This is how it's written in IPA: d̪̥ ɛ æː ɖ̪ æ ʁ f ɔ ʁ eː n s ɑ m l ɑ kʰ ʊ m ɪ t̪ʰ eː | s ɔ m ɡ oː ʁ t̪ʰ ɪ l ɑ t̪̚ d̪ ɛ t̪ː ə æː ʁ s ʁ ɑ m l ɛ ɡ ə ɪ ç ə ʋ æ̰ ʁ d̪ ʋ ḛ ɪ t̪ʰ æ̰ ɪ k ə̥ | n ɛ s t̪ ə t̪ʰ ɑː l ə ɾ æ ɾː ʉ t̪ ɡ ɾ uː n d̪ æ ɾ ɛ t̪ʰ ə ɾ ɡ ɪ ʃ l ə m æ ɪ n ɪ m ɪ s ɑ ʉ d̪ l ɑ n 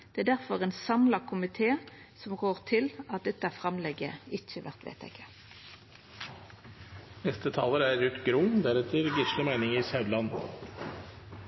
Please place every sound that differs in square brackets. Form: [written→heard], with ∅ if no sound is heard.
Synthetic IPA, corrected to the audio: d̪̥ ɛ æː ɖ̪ æ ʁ f ɔ ʁ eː n s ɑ m l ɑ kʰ ʊ m ɪ t̪ʰ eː | s ɔ m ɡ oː ʁ t̪ʰ ɪ l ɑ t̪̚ d̪ ɛ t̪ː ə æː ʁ [s→f] ʁ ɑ m l ɛ ɡ ə ɪ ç ə ʋ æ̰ ʁ [d̪→t̪] ʋ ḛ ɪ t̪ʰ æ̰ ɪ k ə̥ | n ɛ s t̪ ə t̪ʰ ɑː l ə ɾ æ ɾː ʉ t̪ ɡ ɾ uː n d̪ æ ɾ ɛ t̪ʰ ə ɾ ɡ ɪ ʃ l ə m æ ɪ n ɪ [m→ŋ] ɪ s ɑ ʉ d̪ l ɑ n